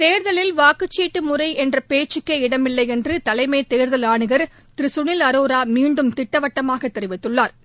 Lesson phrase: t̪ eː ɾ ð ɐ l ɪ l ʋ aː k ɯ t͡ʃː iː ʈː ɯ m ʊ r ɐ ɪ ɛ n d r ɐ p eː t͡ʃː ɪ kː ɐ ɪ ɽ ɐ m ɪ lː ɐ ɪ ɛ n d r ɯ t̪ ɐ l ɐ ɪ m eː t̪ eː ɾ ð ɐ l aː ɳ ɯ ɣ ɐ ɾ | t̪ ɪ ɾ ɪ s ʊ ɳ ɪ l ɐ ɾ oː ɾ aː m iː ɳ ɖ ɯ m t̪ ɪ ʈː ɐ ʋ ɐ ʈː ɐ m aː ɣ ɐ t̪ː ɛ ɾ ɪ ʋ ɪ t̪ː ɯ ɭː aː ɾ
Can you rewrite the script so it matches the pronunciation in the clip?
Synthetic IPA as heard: t̪ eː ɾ ð ɐ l ɪ l ʋ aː k ɯ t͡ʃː iː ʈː ɯ m ʊ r ɐ ɪ ɛ n d r ɐ p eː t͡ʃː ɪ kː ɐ ɪ ɽ ɐ m ɪ lː ɐ ɪ ɛ n d r ɯ t̪ ɐ l ɐ ɪ m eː t̪ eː ɾ ð ɐ l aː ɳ ɯ ɣ ɐ ɾ | t̪ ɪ ɾ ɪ s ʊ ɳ ɪ l ɐ ɾ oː ɾ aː m iː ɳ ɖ ɯ m t̪ ɪ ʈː ɐ ʋ ɐ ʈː ɐ m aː ɣ ɐ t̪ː ɛ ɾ ɪ ʋ ɪ t̪ː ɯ ɭː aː ɾ

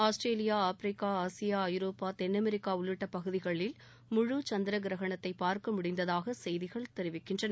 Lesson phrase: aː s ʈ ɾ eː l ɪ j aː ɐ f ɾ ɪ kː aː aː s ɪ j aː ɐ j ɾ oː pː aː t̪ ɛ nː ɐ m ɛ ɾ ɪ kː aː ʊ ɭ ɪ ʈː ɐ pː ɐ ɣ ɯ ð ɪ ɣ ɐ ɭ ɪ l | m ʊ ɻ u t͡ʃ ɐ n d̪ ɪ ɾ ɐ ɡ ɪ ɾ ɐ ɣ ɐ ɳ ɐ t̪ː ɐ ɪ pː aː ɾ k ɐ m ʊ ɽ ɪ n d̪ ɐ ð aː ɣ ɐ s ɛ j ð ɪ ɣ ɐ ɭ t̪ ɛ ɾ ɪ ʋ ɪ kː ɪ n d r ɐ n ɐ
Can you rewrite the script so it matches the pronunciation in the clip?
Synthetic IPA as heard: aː s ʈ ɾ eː l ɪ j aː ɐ f ɾ ɪ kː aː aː s ɪ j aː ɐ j ɾ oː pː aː t̪ ɛ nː ɐ m ɛ ɾ ɪ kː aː ʊ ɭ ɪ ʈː ɐ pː ɐ ɣ ɯ ð ɪ ɣ ɐ ɭ ɪ l | m ʊ ɻ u t͡ʃ ɐ n d̪ ɪ ɾ ɐ ɡ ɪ ɾ ɐ ɣ ɐ ɳ ɐ t̪ː ɐ ɪ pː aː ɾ k ɐ m ʊ ɽ ɪ n d̪ ɐ ð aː ɣ ɐ s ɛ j ð ɪ ɣ ɐ ɭ t̪ ɛ ɾ ɪ ʋ ɪ kː ɪ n d r ɐ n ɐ

